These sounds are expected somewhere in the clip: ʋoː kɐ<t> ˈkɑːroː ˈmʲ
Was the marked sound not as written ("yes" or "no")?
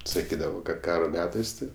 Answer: no